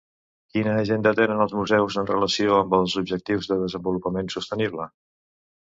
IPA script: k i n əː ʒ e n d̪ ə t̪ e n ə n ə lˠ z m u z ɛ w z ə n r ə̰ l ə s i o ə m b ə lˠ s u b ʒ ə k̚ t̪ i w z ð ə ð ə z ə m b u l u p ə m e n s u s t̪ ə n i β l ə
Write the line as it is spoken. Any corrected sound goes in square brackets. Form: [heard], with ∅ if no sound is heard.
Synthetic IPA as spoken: k i n əː ʒ e n d̪ ə t̪ e n ə n ə lˠ z m u z ɛ w z ə n r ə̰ l ə s i o ə m b ə lˠ [z] u b ʒ ə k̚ t̪ i w z ð ə ð ə z ə m b u l u p ə m e n s u s t̪ ə n i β l ə